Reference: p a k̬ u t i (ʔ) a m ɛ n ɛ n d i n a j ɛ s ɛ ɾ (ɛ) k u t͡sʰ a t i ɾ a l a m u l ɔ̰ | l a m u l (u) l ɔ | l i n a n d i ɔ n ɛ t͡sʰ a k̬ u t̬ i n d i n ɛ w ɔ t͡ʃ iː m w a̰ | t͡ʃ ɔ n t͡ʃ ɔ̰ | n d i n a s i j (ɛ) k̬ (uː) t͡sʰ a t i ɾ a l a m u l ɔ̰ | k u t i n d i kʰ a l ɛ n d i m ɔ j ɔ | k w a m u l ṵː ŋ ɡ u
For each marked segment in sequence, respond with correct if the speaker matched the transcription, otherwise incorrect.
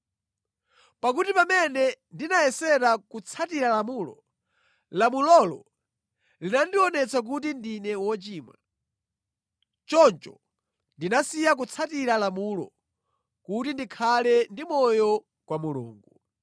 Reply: incorrect: p, incorrect: a, incorrect: ɔ, incorrect: a, incorrect: u

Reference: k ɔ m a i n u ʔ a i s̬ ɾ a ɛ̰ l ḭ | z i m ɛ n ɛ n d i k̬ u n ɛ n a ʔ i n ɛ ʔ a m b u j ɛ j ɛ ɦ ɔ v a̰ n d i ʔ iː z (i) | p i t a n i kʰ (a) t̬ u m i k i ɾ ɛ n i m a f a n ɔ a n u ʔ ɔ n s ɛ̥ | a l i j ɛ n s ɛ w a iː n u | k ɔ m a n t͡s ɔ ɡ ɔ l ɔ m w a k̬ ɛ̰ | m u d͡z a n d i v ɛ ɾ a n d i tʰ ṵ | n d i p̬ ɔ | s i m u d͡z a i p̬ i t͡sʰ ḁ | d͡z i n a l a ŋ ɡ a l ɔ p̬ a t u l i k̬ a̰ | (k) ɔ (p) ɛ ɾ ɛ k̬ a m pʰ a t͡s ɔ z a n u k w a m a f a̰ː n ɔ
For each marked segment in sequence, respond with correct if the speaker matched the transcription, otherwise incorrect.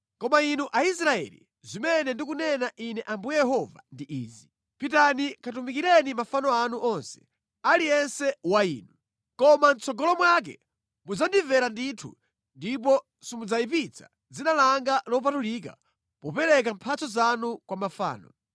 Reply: correct, correct, incorrect: p, correct

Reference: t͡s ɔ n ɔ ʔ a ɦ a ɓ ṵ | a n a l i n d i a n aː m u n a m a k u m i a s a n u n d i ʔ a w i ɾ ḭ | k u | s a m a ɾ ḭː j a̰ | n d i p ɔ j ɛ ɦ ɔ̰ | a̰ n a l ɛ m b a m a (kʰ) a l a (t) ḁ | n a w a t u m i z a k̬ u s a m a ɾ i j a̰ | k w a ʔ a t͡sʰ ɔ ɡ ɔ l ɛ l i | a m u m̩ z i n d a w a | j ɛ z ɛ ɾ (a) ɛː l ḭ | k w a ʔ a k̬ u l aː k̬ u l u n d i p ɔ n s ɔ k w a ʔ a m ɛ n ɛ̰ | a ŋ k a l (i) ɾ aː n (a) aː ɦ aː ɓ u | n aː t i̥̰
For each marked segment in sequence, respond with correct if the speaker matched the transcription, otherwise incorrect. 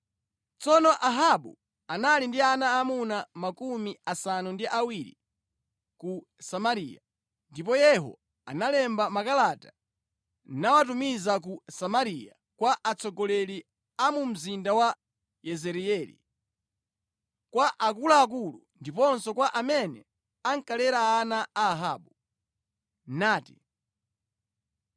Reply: incorrect: k, correct, incorrect: i, incorrect: ɛ, correct

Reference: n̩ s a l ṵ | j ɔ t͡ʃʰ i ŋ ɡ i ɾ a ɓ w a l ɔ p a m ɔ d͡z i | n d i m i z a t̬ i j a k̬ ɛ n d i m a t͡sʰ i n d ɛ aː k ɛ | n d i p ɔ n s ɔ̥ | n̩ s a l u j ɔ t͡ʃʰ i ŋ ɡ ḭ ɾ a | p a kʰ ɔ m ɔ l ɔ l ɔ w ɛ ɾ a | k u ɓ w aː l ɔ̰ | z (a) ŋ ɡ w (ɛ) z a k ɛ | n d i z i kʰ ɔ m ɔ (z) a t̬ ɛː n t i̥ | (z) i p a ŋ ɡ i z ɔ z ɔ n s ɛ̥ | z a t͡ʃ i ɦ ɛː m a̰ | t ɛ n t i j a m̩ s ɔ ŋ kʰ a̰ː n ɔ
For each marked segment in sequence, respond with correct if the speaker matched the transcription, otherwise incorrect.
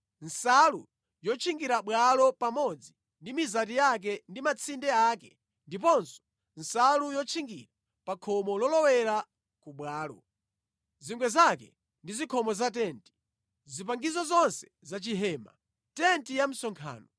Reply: incorrect: i, correct, correct, correct

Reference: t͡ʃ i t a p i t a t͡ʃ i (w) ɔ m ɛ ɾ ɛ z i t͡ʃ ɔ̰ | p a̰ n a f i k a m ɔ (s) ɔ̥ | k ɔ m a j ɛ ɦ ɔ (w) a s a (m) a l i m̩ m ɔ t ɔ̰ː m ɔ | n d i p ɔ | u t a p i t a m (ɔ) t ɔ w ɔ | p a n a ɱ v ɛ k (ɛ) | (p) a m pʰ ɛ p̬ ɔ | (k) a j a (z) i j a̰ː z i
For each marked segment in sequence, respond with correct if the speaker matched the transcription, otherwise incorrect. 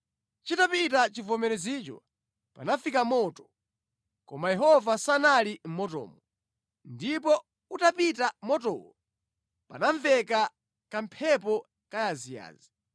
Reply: incorrect: v, incorrect: t, incorrect: v, incorrect: n, correct, incorrect: a, incorrect: k, correct, correct

